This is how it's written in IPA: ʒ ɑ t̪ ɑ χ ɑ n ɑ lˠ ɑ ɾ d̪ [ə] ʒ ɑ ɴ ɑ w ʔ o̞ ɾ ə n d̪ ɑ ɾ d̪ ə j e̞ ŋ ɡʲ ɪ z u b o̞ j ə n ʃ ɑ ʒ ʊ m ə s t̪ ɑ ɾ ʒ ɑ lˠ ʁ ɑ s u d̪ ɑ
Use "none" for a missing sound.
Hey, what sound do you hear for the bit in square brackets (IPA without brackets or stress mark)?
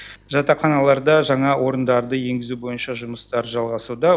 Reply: ɑ